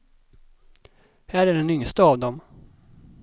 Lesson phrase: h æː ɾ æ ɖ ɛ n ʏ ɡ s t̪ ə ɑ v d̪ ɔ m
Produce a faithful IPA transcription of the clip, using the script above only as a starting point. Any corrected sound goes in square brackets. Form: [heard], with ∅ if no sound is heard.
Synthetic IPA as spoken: h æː ɾ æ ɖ ɛ n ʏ [ŋ] s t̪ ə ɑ v d̪ ɔ m